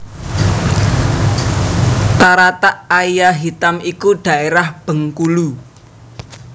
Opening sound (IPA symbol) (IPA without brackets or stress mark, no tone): t̪